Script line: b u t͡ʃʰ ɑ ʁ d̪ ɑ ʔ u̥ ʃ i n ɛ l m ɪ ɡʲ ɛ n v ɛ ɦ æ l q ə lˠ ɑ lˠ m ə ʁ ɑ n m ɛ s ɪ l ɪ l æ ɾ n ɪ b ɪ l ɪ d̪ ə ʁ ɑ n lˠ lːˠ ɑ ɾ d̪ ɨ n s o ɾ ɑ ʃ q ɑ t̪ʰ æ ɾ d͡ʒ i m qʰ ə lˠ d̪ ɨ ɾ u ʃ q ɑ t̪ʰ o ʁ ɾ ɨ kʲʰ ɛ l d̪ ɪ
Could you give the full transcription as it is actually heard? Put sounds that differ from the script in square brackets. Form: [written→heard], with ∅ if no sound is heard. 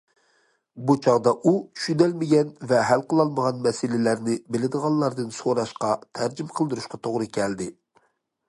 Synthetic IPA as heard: b u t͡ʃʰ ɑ ʁ d̪ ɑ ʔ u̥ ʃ [i→y] n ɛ l m ɪ ɡʲ ɛ n v ɛ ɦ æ l q ə lˠ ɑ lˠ m ə ʁ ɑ n m ɛ s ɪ l ɪ l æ ɾ n ɪ b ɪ l ɪ d̪ ə ʁ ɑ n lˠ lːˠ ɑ ɾ d̪ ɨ n s o ɾ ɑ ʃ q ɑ t̪ʰ æ ɾ d͡ʒ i m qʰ ə lˠ d̪ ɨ ɾ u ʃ q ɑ t̪ʰ o ʁ ɾ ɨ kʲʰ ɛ l d̪ ɪ